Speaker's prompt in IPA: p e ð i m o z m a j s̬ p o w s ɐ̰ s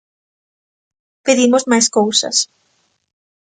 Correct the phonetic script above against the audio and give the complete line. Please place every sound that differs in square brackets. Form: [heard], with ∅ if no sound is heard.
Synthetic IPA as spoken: p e ð i m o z m a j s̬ [k] o w s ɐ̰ s